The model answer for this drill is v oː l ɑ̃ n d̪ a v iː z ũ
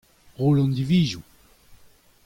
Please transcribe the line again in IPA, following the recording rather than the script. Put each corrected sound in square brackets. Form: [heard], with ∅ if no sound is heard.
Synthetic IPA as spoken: [ʁ] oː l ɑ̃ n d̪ [i] v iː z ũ